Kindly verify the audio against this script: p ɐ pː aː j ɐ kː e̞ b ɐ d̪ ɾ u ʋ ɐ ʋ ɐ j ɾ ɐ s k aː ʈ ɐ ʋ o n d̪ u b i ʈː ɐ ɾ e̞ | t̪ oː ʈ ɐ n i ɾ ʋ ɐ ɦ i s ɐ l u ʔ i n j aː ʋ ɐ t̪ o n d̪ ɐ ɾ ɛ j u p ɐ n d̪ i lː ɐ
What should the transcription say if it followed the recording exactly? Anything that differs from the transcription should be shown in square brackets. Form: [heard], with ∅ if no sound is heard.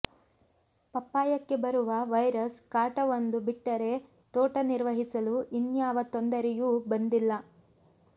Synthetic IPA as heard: p ɐ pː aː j ɐ kː e̞ b ɐ [∅] ɾ u ʋ ɐ ʋ ɐ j ɾ ɐ s k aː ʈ ɐ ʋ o n d̪ u b i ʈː ɐ ɾ e̞ | t̪ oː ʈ ɐ n i ɾ ʋ ɐ ɦ i s ɐ l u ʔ i n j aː ʋ ɐ t̪ o n d̪ ɐ ɾ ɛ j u [b] ɐ n d̪ i lː ɐ